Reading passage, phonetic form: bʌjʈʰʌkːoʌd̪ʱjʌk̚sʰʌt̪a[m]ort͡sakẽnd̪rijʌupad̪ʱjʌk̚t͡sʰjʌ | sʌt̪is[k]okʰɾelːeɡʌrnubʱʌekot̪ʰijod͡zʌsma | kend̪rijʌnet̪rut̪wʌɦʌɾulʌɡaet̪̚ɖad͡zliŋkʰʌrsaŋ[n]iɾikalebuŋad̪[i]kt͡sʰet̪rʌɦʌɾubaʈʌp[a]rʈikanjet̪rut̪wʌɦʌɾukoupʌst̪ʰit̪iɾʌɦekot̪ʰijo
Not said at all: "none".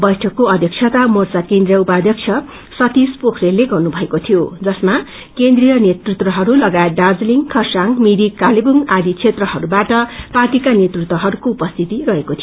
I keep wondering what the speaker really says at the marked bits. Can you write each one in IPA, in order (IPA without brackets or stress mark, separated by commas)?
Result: m, p, m, i, a